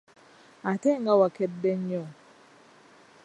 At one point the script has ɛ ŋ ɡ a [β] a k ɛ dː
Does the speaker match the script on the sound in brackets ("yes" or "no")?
no